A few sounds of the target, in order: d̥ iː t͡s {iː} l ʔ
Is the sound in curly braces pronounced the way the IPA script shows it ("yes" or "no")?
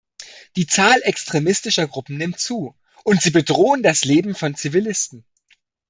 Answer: no